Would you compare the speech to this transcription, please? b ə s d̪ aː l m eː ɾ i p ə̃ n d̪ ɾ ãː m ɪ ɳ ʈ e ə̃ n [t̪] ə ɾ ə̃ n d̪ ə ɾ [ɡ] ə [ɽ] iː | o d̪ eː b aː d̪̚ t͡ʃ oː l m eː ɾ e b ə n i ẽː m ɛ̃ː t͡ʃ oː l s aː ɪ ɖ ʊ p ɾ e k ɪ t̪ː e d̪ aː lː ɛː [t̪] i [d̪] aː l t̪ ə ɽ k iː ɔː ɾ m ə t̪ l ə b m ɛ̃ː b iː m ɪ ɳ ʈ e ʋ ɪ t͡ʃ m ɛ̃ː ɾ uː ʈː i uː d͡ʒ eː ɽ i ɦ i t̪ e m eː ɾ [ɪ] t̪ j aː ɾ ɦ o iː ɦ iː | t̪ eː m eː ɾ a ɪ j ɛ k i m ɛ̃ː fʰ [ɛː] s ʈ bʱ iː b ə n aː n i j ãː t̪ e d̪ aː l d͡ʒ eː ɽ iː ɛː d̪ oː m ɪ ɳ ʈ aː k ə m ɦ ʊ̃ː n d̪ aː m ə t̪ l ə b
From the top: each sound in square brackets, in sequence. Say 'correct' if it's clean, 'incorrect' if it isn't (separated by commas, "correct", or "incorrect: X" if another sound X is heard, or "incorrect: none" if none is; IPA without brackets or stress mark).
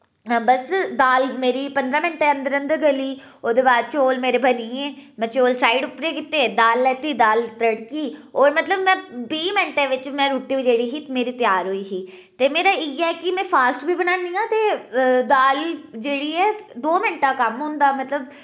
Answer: incorrect: d̪, correct, incorrect: l, correct, correct, incorrect: i, incorrect: aː